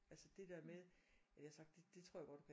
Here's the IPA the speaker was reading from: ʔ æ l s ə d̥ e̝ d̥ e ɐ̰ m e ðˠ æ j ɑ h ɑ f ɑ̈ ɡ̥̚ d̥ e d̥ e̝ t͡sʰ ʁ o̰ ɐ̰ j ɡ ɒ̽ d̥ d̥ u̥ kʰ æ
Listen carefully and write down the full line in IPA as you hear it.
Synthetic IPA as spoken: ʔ æ l s ə d̥ e̝ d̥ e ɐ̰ m e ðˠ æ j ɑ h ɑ s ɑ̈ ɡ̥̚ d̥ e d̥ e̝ t͡sʰ ʁ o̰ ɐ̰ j ɡ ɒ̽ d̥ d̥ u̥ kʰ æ